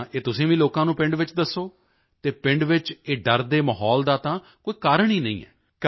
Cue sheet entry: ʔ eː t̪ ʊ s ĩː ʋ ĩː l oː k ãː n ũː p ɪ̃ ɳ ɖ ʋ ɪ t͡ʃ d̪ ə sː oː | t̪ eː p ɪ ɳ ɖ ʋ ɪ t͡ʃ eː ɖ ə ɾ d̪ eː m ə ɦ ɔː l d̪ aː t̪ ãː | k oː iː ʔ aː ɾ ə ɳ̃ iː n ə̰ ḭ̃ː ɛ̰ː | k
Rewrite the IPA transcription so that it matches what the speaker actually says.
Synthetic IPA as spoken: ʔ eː t̪ ʊ s ĩː ʋ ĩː l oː k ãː n ũː p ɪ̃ ɳ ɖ ʋ ɪ t͡ʃ d̪ ə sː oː | t̪ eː p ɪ ɳ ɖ ʋ ɪ t͡ʃ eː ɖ ə ɾ d̪ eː m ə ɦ ɔː l d̪ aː t̪ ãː | k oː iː k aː ɾ ə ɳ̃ iː n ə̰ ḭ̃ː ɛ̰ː | k